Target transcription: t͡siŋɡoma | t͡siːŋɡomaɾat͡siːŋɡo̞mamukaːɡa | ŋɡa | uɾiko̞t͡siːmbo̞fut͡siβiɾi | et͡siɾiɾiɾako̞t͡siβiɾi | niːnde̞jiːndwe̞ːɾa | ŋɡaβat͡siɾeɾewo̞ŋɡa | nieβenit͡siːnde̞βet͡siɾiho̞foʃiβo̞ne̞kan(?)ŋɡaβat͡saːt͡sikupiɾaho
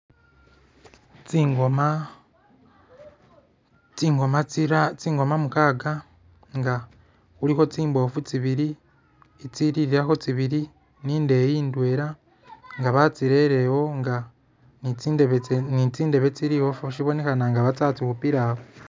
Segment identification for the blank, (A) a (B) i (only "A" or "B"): A